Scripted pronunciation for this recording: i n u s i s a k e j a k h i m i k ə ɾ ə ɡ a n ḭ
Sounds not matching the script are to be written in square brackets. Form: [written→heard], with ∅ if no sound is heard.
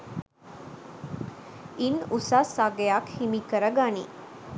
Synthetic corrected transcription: i n u s [i→a] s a [k→ɡ] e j a k h i m i k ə ɾ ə ɡ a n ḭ